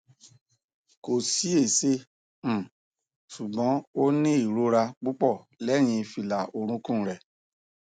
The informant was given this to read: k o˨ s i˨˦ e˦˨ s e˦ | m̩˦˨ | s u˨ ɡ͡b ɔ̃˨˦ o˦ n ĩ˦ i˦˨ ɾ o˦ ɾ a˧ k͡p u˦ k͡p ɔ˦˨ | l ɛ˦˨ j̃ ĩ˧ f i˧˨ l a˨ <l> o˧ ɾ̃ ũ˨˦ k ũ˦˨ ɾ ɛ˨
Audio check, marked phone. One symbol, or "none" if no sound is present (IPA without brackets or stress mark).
none